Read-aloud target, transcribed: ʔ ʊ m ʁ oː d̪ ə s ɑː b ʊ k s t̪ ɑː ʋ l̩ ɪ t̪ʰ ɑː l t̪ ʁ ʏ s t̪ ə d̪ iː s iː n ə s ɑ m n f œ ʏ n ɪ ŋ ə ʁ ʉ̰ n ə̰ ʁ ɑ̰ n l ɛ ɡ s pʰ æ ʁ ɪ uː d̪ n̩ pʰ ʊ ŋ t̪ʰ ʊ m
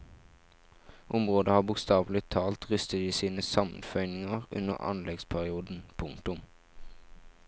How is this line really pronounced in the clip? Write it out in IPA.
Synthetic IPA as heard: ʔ ʊ m ʁ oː d̪ ə h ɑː b ʊ k s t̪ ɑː ʋ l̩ ɪ t̪ʰ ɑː l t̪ ʁ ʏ s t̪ ə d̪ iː s iː n ə s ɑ m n f œ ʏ n ɪ ŋ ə ʁ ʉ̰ n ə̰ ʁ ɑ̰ n l ɛ ɡ s pʰ æ ʁ ɪ uː d̪ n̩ pʰ ʊ ŋ t̪ ʊ m